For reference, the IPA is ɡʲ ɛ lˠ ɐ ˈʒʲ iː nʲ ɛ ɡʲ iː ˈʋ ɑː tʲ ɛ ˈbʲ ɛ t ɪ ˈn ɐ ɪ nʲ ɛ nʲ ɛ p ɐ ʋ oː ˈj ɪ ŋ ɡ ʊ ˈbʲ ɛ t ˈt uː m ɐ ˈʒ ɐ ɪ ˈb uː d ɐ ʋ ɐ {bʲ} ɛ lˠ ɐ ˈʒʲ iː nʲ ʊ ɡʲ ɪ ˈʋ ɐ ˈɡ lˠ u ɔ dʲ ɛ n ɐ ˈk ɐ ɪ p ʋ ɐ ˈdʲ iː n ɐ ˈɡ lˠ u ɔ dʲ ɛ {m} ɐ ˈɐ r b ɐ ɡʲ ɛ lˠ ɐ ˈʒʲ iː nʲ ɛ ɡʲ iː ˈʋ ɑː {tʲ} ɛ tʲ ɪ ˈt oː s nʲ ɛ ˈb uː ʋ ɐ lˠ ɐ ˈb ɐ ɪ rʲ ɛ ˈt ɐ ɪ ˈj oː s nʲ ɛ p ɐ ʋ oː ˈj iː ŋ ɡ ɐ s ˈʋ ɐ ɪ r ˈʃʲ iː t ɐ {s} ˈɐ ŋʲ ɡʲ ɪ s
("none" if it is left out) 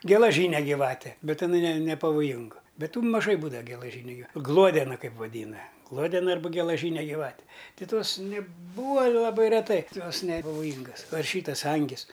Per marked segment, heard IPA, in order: ɡʲ, n, tʲ, s

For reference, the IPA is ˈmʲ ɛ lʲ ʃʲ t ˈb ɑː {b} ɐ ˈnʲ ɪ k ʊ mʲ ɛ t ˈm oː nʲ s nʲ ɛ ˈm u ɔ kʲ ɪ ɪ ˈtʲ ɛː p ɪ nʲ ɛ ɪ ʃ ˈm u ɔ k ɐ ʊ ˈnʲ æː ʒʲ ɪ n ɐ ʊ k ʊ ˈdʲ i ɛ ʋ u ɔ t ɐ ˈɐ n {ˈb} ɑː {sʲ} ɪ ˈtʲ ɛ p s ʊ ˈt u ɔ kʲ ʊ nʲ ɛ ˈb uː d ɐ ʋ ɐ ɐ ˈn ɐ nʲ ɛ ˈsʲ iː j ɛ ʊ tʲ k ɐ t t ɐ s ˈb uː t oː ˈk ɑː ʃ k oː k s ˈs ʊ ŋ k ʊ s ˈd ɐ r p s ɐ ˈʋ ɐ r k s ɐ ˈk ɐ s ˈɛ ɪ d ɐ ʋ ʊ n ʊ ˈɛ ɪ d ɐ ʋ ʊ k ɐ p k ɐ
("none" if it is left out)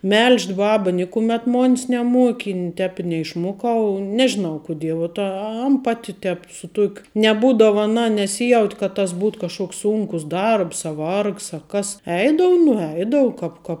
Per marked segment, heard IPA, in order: b, p, tʲ

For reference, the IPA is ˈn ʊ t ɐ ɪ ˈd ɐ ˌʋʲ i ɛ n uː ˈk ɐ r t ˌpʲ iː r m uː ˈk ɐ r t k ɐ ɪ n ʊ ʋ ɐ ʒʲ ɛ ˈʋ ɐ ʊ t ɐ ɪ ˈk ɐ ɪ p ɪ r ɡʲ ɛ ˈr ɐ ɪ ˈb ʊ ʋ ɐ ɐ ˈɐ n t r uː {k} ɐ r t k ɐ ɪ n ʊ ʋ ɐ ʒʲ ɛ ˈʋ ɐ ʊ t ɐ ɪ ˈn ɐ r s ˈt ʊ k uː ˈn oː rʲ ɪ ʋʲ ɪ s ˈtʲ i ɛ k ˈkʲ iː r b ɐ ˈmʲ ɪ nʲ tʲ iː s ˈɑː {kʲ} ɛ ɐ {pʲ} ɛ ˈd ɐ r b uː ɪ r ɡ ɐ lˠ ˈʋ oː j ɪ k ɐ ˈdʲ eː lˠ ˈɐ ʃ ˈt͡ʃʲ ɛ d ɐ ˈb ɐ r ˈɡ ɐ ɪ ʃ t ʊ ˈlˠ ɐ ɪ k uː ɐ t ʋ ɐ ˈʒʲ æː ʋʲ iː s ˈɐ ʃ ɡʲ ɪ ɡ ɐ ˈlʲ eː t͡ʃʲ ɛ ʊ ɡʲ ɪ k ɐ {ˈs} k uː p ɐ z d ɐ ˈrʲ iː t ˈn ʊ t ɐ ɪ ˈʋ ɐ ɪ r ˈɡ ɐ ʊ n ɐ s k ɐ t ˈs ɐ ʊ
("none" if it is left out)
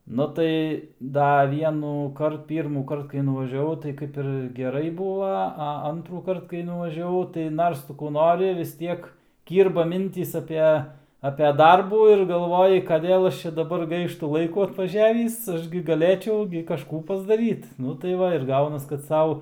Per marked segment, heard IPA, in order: k, pʲ, pʲ, ʃ

